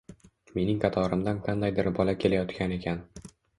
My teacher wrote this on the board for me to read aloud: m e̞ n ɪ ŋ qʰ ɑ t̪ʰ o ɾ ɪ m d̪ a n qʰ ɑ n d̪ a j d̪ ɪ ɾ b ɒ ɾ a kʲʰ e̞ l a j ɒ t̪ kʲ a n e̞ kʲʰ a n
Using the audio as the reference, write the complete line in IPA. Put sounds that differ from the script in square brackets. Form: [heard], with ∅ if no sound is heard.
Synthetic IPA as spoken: m e̞ n ɪ ŋ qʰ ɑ t̪ʰ [ɒ] ɾ ɪ m d̪ a n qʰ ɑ n d̪ a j d̪ ɪ ɾ b ɒ [l] a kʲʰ e̞ l a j ɒ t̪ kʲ a n e̞ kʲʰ a n